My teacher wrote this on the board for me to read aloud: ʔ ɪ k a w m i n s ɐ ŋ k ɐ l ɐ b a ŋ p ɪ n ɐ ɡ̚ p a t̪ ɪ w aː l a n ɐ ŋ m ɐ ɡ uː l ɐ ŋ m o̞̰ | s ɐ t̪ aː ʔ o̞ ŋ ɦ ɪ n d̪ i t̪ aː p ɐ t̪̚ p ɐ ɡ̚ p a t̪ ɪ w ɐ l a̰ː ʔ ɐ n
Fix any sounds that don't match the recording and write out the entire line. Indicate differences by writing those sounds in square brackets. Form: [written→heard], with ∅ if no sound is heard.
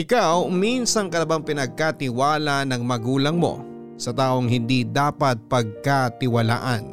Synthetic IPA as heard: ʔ ɪ k a w m i n s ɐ ŋ k ɐ l ɐ b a ŋ p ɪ n ɐ ɡ̚ [p→k] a t̪ ɪ w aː l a n ɐ ŋ m ɐ ɡ uː l ɐ ŋ m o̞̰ | s ɐ t̪ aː ʔ o̞ ŋ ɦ ɪ n d̪ i [t̪→d̪] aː p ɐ t̪̚ p ɐ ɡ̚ [p→k] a t̪ ɪ w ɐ l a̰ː ʔ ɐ n